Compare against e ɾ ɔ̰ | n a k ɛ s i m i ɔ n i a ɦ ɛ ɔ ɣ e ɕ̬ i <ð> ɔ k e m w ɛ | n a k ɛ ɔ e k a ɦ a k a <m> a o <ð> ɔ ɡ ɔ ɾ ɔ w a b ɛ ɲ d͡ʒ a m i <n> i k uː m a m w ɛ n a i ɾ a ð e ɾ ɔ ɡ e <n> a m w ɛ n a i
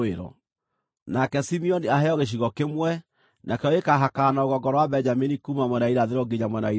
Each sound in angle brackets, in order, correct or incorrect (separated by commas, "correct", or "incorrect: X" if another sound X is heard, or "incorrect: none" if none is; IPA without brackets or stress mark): incorrect: ɣ, incorrect: n, incorrect: ɣ, correct, incorrect: ɲ